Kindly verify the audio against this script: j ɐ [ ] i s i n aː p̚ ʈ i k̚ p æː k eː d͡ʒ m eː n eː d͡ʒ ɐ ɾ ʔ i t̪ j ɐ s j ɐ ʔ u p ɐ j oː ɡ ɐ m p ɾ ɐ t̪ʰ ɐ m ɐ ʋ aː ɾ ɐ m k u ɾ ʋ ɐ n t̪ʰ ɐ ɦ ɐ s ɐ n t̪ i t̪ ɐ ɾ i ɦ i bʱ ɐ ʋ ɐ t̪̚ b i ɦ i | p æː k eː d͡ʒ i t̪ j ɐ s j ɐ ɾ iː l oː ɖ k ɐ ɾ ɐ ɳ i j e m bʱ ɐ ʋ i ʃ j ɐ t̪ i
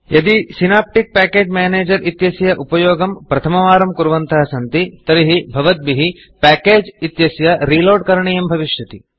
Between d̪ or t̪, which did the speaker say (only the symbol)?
d̪